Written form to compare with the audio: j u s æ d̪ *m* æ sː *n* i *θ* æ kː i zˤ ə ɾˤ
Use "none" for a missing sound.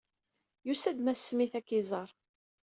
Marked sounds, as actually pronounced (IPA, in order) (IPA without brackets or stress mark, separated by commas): m, m, θ